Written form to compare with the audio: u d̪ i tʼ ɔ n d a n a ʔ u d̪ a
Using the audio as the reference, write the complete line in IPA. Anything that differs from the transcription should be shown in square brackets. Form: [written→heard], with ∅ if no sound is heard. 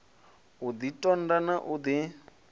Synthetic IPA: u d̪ i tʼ ɔ n d a n a ʔ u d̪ [a→i]